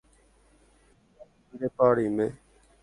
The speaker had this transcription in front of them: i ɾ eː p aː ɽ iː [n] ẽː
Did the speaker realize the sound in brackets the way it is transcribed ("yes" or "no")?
no